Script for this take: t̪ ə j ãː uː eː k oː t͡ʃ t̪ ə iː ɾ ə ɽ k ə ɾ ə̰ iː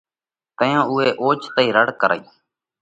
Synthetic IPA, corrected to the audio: t̪ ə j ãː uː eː ʔ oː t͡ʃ t̪ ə iː ɾ ə ɽ k ə ɾ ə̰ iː